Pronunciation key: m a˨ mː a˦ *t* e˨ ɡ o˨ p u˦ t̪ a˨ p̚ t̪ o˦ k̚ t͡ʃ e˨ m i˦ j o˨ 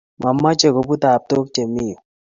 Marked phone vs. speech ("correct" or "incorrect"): incorrect